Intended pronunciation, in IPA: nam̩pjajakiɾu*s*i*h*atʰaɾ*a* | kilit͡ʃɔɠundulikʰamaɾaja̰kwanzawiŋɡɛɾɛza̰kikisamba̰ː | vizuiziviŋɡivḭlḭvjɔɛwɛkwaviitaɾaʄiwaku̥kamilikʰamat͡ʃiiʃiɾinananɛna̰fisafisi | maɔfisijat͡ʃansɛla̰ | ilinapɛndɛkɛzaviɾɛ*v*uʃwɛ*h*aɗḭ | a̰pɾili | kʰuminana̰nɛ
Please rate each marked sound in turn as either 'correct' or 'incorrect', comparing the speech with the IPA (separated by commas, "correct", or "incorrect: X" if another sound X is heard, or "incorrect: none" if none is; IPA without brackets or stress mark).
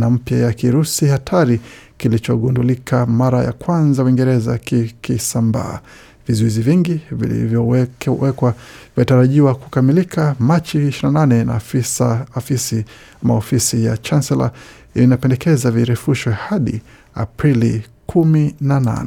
correct, correct, incorrect: i, incorrect: f, correct